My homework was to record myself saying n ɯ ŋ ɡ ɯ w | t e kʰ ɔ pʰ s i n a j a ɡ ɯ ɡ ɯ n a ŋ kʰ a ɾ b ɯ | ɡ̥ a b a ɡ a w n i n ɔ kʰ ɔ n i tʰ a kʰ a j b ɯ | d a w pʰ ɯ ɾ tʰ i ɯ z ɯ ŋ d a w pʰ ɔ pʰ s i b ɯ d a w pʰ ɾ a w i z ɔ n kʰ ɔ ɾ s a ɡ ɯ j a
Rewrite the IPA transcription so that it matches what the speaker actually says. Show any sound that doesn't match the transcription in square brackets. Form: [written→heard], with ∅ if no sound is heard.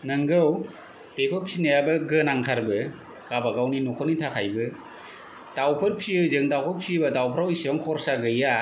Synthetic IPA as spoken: n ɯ ŋ ɡ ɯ w | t e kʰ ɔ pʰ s i n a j a [ɡ→b] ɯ ɡ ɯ n a ŋ kʰ a ɾ b ɯ | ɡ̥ a b a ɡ a w n i n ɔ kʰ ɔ n i tʰ a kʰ a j b ɯ | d a w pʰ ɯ ɾ [tʰ→pʰ] i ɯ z ɯ ŋ d a w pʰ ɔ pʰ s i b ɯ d a w pʰ ɾ a w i [z→s] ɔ [n→ŋ] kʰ ɔ ɾ s a ɡ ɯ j a

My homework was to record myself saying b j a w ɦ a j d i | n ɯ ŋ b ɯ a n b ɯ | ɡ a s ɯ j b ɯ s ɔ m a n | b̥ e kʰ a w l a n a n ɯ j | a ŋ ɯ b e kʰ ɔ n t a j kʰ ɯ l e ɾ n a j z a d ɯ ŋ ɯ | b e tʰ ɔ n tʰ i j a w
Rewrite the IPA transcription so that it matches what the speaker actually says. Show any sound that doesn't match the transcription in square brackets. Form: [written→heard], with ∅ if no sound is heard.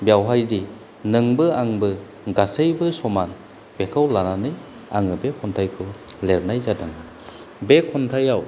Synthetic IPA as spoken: b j a w ɦ a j d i | n ɯ ŋ b ɯ a [n→ŋ] b ɯ | ɡ a s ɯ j b ɯ s ɔ m a n | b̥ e kʰ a w l a n a n ɯ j | a ŋ ɯ b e kʰ ɔ n [t→tʰ] a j kʰ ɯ l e ɾ n a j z a d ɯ ŋ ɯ | b e [tʰ→kʰ] ɔ n tʰ [i→a] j a w

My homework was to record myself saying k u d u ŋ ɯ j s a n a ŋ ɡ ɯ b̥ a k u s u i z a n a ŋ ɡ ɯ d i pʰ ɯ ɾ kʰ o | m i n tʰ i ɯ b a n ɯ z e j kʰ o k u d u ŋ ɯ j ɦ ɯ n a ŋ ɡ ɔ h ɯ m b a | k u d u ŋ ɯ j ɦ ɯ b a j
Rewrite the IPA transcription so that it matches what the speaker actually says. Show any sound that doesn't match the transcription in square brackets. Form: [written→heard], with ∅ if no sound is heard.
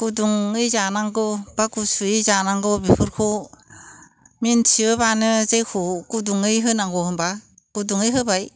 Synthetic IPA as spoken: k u d u ŋ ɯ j [s→z] a n a ŋ ɡ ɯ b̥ a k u s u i z a n a ŋ ɡ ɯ [d→b] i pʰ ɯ ɾ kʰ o | m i n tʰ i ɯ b a n ɯ z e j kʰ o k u d u ŋ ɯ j ɦ ɯ n a ŋ ɡ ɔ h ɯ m b a | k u d u ŋ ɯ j ɦ ɯ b a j

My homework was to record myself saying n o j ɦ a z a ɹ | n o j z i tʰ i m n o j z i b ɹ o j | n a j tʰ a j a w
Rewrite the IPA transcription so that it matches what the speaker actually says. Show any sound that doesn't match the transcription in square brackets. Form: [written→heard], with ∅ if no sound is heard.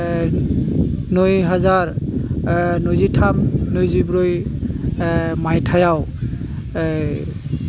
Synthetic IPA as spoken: n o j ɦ a z a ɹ | n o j z i tʰ [i→a] m n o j z i b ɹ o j | [n→m] a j tʰ a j a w

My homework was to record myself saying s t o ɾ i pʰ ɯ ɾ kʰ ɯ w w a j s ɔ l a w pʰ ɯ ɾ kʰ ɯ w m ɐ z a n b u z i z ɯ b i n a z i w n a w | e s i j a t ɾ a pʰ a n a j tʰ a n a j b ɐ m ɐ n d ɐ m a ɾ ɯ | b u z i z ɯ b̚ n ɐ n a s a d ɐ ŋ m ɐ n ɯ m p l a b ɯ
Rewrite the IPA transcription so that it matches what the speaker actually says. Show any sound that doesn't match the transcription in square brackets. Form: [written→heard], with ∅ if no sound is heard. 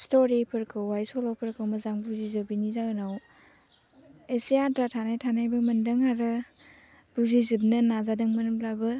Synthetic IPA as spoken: s t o ɾ i pʰ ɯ ɾ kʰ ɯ w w a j s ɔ l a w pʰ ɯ ɾ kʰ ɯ w m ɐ z a [n→ŋ] b u z i z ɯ b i n [a→i] z [i→a] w n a w | e s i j a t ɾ a [pʰ→tʰ] a n a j tʰ a n a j b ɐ m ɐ n d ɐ [m→ŋ] a ɾ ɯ | b u z i z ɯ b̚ n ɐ n a [s→z] a d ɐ ŋ m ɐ n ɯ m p l a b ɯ

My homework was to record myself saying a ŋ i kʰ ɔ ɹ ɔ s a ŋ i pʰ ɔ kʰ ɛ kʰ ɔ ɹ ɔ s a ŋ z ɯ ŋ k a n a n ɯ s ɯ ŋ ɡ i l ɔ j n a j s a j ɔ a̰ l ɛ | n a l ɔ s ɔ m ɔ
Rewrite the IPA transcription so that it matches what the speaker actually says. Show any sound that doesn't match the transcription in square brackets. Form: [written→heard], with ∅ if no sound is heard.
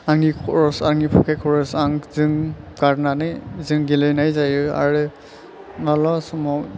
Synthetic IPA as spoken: a ŋ i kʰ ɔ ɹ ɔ s a ŋ i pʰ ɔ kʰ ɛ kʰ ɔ ɹ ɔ s a ŋ z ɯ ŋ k a n a n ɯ [s→z] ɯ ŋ ɡ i l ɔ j n a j [s→z] a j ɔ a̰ [l→ɹ] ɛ | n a l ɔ s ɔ m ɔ

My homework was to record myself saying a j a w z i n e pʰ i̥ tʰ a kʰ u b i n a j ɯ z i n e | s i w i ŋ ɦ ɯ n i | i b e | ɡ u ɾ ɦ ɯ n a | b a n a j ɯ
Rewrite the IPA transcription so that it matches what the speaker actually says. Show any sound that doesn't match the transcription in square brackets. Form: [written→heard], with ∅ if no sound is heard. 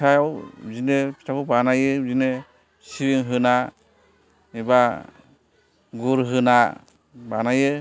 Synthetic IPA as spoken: a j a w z i n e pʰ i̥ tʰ a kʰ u b [i→a] n a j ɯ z i n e | s i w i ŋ ɦ ɯ n [i→a] | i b [e→a] | ɡ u ɾ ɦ ɯ n a | b a n a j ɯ

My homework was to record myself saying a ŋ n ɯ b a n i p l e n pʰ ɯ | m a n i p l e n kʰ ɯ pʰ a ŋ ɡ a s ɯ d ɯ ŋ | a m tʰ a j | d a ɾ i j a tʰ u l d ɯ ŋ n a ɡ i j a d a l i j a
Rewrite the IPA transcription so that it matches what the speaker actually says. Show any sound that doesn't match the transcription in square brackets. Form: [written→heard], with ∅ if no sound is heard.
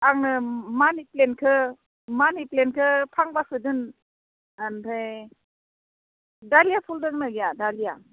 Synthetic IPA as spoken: a ŋ n ɯ [b→m] a n i p l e n [pʰ→kʰ] ɯ | m a n i p l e n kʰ ɯ pʰ a ŋ [ɡ→b] a s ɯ d ɯ [ŋ→n] | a [m→n] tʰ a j | d a [ɾ→l] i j a [tʰ→pʰ] u l d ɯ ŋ n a ɡ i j a d a l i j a

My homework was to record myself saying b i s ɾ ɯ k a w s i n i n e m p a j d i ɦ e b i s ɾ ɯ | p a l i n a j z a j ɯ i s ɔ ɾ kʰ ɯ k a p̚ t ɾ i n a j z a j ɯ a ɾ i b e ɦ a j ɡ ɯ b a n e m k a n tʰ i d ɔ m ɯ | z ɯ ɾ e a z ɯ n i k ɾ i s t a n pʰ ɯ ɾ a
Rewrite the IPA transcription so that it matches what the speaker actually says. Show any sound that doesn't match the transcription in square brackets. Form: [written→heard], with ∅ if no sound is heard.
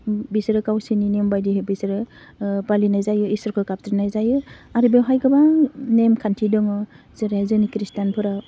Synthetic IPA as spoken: b i s ɾ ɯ k a w s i n i n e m [p→b] a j d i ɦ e b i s ɾ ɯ | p a l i n a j z a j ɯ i s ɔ ɾ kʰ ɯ k a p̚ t ɾ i n a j z a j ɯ a ɾ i b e ɦ a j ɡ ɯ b a n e m [k→kʰ] a n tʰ i d ɔ [m→ŋ] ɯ | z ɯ ɾ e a z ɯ n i k ɾ i s t a n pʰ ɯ ɾ a

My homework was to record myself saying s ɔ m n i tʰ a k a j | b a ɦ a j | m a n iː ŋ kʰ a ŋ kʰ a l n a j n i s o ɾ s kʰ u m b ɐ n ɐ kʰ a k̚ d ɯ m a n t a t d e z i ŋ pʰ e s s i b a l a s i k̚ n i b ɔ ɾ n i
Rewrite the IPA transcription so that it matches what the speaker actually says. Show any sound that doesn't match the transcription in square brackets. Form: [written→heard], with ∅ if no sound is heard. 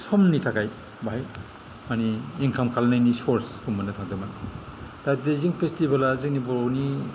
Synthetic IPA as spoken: s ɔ m n i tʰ a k a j | b a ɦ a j | m a n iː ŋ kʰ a [ŋ→m] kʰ a l n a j n i s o ɾ s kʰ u m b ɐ n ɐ [kʰ→tʰ] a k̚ d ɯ m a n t a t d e z i ŋ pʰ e s [s→t] i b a l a [s→z] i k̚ n i b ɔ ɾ n i

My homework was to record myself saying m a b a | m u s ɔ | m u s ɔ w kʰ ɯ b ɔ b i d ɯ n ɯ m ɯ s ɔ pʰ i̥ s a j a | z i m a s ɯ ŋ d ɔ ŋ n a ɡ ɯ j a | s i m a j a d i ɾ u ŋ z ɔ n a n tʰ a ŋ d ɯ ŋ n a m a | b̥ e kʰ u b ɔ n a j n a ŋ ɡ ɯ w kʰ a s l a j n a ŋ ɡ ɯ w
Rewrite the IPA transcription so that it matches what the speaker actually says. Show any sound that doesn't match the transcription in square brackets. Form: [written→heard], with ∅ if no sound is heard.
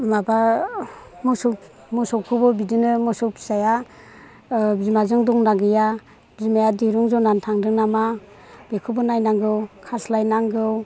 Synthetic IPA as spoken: m a b a | m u s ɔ | m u s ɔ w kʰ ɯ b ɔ b i d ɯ n ɯ m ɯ s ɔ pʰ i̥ s a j a | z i m a [s→z] ɯ ŋ d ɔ ŋ n a ɡ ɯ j a | [s→z] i m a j a d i ɾ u ŋ z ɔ n a n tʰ a ŋ d ɯ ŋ n a m a | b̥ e kʰ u b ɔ n a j n a ŋ ɡ ɯ w kʰ a s l a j n a ŋ ɡ ɯ w

